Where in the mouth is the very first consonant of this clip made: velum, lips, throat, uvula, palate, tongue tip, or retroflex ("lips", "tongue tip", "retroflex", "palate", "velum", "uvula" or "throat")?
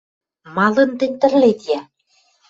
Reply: lips